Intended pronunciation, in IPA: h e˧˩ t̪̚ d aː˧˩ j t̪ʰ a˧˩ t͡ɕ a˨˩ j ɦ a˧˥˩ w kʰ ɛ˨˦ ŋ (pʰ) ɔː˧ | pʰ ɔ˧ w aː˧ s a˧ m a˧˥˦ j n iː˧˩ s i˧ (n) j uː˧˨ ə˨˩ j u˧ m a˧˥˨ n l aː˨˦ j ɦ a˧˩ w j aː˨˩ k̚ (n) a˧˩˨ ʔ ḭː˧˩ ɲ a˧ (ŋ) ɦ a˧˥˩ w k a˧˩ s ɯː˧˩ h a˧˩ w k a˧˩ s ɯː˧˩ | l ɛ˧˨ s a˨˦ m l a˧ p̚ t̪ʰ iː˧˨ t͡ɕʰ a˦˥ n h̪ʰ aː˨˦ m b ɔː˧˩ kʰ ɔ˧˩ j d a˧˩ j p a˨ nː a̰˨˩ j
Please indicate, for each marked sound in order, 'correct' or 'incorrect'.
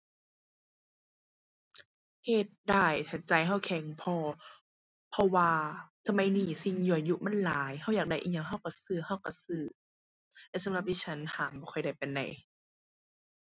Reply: correct, incorrect, incorrect, correct

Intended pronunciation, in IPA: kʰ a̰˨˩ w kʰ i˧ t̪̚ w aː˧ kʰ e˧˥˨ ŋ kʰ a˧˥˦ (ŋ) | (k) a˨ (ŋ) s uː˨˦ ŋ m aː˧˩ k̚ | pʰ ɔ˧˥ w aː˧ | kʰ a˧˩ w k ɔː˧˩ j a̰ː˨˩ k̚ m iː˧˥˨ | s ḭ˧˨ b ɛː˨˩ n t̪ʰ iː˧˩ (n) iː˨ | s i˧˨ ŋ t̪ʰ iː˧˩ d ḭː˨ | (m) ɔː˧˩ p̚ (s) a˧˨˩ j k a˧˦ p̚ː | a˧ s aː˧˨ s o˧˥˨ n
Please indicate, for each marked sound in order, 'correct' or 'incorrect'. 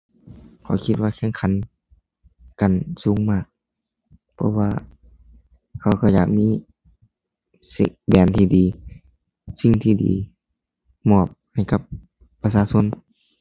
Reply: incorrect, correct, incorrect, incorrect, correct, incorrect

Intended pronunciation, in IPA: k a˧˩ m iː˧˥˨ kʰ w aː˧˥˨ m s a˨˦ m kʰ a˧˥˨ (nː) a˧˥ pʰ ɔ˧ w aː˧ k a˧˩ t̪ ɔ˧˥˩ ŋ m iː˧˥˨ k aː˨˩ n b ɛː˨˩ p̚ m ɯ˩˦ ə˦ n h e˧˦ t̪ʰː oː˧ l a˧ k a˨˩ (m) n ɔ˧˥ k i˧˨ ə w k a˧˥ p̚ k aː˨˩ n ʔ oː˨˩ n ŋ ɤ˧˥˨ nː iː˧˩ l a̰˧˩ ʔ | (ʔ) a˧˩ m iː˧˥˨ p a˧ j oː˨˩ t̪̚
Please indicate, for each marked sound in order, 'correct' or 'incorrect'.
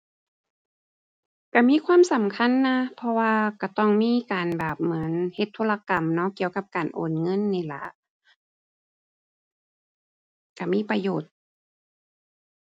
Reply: correct, correct, incorrect

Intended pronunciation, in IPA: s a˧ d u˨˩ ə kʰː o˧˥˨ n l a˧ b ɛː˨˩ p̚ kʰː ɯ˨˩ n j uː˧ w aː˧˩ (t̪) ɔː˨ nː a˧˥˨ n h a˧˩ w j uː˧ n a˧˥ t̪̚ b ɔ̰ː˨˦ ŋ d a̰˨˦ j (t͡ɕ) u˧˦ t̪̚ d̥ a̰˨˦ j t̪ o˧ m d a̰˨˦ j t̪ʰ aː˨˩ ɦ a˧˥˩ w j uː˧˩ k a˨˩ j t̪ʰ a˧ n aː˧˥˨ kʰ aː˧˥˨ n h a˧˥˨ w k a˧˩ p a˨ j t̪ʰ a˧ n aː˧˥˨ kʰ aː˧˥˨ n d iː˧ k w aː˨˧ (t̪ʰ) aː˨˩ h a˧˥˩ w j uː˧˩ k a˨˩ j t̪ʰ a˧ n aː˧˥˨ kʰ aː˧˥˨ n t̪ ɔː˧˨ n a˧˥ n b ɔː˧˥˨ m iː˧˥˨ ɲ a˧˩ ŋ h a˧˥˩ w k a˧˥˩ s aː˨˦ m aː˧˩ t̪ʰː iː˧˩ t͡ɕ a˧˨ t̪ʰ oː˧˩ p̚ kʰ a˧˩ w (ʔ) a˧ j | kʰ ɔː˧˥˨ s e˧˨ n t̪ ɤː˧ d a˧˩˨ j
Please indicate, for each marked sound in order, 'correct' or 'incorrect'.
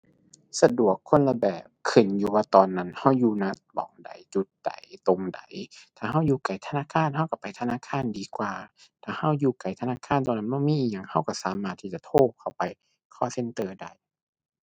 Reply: correct, correct, correct, incorrect

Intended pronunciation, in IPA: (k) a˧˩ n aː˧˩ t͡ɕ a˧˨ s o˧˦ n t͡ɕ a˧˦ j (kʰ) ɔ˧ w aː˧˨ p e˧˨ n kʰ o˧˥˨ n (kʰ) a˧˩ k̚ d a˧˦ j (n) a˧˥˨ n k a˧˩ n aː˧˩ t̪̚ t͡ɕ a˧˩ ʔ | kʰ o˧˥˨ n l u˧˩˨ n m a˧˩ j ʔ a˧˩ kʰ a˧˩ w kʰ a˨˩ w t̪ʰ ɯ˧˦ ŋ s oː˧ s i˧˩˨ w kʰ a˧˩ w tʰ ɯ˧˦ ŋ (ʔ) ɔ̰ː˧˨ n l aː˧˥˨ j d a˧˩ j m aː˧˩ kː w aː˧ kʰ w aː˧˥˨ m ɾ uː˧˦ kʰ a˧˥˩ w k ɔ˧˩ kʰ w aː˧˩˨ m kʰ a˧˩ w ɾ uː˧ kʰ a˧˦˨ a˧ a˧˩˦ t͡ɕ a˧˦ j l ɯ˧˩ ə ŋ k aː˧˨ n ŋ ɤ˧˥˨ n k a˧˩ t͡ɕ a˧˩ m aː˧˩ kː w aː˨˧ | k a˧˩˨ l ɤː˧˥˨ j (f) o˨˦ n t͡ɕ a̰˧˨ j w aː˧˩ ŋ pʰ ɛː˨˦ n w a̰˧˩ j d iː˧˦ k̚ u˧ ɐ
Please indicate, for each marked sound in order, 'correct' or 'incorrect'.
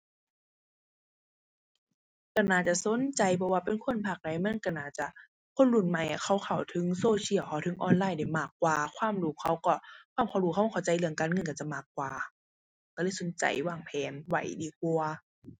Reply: correct, incorrect, incorrect, incorrect, correct, incorrect

